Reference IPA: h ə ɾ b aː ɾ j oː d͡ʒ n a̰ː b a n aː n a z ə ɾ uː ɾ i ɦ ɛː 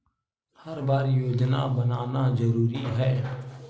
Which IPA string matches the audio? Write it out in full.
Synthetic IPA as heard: h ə ɾ b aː ɾ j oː d͡ʒ n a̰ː b ə n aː n a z ə ɾ uː ɾ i ɦ ɛː